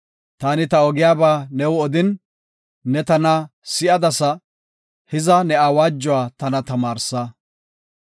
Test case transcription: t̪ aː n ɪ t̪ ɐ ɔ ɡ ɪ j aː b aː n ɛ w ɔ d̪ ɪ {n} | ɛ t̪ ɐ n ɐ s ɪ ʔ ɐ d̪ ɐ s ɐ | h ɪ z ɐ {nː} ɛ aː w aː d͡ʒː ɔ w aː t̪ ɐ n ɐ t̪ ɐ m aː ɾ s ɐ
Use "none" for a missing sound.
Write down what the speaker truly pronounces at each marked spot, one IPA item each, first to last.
nː, n

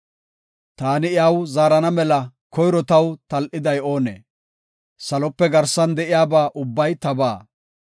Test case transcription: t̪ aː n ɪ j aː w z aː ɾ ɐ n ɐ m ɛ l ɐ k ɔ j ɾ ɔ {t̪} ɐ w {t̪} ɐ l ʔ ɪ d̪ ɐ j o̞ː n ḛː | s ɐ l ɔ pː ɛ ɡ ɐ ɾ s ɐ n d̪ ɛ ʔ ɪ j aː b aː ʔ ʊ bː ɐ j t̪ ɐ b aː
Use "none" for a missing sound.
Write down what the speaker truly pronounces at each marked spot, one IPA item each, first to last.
t̪, t̪

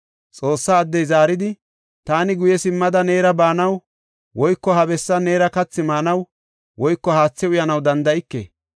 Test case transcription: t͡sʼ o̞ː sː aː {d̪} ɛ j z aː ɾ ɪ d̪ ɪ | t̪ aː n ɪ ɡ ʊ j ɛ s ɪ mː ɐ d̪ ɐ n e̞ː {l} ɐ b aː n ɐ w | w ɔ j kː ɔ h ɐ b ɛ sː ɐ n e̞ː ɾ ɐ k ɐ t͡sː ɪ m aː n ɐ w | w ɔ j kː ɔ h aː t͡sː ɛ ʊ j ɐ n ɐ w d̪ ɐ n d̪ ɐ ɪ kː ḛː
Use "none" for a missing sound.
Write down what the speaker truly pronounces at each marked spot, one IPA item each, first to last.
d̪ː, ɾ

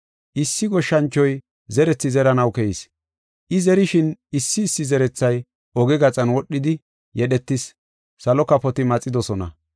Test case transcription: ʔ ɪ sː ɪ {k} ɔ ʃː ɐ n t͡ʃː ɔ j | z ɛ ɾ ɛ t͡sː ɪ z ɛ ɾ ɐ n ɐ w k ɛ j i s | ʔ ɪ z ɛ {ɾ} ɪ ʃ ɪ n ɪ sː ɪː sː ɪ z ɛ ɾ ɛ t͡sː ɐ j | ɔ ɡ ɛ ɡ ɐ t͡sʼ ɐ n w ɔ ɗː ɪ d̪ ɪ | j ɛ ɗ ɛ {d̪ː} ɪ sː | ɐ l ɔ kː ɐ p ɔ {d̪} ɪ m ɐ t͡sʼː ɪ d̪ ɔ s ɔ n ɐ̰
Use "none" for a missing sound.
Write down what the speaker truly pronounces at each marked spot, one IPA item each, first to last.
ɡ, ɾ, t̪ː, t̪

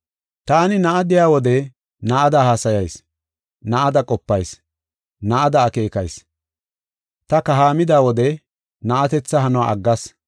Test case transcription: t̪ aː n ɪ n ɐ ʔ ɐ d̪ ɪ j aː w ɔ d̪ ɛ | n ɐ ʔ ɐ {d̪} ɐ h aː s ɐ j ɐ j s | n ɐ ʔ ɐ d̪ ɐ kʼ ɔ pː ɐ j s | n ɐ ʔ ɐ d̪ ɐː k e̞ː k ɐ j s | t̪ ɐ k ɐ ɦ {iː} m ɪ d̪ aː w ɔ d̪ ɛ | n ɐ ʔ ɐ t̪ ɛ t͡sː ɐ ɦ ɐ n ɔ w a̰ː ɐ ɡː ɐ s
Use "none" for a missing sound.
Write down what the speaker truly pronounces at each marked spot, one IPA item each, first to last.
d̪, aː

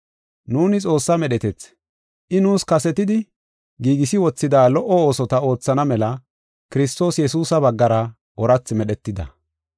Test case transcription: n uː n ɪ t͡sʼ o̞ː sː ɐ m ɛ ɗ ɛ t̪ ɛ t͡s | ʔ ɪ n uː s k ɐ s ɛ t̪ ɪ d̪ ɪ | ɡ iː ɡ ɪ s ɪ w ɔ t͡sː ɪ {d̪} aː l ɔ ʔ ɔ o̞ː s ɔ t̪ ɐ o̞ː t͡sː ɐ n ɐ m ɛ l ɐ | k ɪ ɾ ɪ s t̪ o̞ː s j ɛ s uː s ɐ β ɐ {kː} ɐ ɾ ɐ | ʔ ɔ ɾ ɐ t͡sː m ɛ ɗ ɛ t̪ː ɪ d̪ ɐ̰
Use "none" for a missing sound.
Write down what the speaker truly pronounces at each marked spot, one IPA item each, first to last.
d̪, ɡː

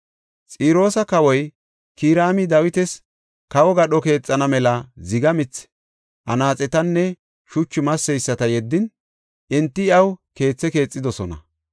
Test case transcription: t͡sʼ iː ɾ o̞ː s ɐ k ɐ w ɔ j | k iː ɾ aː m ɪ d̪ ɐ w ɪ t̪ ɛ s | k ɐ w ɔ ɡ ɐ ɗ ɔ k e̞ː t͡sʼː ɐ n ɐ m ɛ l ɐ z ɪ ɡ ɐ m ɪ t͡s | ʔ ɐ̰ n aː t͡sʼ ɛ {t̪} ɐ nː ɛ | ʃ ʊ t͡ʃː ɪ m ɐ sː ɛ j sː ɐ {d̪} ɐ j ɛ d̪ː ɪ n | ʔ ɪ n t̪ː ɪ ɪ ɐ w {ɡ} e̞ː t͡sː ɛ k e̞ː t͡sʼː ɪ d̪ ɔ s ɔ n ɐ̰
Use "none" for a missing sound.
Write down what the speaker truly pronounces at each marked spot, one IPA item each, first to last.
t̪, t̪, k

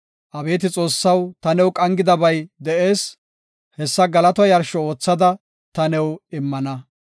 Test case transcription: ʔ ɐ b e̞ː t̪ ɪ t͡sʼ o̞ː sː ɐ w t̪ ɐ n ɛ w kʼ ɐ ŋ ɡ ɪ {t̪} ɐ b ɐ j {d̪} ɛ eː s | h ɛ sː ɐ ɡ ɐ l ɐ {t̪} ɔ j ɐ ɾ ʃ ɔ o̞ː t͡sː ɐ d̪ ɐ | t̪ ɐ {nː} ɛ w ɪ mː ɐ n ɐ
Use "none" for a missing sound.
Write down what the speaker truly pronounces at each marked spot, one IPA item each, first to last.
d̪, d̪, t̪, n

